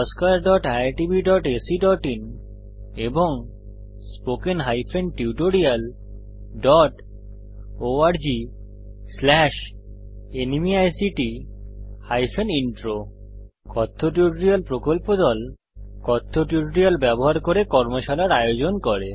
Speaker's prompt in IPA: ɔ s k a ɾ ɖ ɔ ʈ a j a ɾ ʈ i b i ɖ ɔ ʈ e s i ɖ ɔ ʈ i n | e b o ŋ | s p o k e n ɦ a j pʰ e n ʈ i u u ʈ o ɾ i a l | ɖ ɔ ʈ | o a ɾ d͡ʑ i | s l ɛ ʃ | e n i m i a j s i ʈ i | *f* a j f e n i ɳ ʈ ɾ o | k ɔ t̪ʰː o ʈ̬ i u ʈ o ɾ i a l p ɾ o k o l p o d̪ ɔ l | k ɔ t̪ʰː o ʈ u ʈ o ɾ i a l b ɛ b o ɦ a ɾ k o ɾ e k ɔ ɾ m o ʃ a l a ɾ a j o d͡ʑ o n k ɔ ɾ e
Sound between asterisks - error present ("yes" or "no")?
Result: yes